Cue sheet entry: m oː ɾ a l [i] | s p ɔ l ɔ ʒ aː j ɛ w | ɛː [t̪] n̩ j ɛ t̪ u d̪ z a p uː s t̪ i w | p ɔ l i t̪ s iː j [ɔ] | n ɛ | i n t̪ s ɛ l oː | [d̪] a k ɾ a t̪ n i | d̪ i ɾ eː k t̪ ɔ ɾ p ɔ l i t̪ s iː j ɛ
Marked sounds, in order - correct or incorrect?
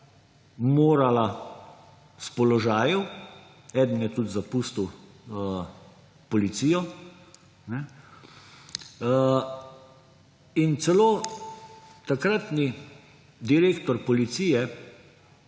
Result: incorrect: a, incorrect: d̪, correct, incorrect: t̪

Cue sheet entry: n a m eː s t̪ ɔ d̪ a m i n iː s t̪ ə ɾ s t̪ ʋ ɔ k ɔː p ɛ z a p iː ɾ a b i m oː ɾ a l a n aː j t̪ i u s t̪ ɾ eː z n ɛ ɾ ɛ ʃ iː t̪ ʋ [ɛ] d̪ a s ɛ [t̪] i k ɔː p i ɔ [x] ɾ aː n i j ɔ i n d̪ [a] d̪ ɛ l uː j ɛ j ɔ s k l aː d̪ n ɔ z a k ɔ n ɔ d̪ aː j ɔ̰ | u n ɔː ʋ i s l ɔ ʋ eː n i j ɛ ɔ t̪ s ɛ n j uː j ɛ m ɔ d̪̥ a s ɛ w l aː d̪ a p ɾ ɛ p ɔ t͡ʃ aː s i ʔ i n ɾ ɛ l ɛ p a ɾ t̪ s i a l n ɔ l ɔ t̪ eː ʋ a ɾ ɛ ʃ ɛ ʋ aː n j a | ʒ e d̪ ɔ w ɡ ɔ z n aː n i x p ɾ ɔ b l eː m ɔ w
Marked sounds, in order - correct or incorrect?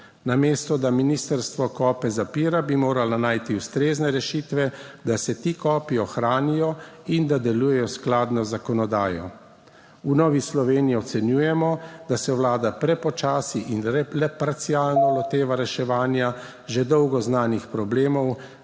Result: correct, correct, correct, correct

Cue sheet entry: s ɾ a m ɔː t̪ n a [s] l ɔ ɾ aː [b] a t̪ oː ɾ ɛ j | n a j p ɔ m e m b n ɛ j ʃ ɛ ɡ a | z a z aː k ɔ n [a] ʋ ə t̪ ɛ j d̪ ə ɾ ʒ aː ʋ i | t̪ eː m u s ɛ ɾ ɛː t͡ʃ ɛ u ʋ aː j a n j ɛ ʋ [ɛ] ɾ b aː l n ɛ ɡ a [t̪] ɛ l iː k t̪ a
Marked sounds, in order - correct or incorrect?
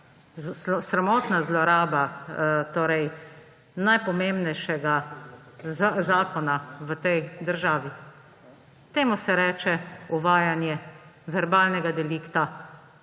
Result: incorrect: z, correct, correct, correct, incorrect: d̪

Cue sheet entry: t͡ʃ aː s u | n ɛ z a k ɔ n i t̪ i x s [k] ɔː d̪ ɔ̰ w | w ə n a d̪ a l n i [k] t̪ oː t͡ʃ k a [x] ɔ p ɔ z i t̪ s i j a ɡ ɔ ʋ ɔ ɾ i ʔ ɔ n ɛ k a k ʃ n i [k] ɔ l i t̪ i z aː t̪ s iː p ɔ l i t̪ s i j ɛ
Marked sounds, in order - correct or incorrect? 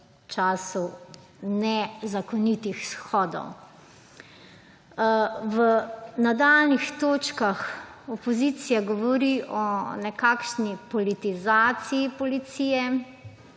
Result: incorrect: x, incorrect: x, correct, incorrect: p

